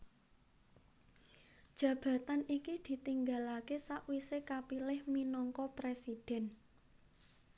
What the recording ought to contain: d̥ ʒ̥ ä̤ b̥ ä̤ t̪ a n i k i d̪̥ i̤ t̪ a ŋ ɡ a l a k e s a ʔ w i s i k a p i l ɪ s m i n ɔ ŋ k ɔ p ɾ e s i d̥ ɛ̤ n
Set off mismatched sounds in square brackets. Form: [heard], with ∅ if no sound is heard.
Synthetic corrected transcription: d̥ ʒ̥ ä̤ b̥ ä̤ t̪ a n i k i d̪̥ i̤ t̪ [i] ŋ ɡ a l a k e s a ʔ w i s [e] k a p i l ɪ [h] m i n ɔ ŋ k ɔ p ɾ e s i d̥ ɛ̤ n